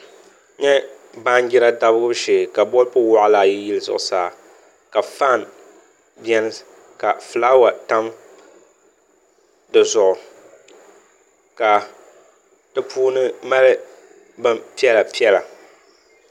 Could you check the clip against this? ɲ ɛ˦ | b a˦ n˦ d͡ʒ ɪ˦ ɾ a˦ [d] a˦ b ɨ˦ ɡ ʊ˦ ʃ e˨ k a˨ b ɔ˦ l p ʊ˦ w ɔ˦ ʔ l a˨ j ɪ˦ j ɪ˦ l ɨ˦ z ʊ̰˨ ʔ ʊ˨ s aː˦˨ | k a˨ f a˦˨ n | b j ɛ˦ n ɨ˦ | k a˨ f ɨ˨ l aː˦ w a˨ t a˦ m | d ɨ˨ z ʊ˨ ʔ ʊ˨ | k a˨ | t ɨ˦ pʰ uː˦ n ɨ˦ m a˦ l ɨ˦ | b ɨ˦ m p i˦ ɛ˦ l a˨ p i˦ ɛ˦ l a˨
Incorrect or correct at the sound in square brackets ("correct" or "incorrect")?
correct